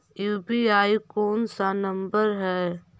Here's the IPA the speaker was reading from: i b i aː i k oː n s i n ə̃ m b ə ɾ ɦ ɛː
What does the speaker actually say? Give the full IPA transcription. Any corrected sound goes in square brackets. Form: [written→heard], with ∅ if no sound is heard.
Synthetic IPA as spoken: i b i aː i k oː n s [i→a] n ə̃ m b ə ɾ ɦ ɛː